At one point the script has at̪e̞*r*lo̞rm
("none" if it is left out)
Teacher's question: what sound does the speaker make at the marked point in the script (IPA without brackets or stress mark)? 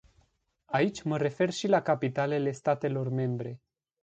none